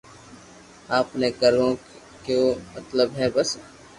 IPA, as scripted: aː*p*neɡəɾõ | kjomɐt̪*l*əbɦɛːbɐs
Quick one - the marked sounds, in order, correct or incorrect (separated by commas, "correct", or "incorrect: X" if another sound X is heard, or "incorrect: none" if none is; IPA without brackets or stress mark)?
correct, correct